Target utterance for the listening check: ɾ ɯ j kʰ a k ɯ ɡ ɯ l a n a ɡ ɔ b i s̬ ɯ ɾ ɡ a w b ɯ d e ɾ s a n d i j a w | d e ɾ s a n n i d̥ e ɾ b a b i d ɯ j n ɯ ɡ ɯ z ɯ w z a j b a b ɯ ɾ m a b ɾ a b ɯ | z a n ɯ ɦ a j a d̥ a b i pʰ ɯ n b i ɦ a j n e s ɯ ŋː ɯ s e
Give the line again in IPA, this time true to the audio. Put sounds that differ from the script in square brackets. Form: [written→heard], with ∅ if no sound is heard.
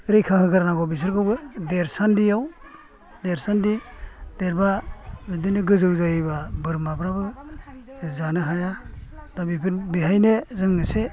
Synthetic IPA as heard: ɾ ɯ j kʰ a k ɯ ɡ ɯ [l→ɾ] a n a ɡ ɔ b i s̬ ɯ ɾ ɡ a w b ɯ d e ɾ s a n d i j a w | d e ɾ s a n [n→d] i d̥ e ɾ b a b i d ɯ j n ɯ ɡ ɯ z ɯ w z a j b a b ɯ ɾ m a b ɾ a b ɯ | z a n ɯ ɦ a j a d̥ a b i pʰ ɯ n b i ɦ a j n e [s→z] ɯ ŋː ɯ s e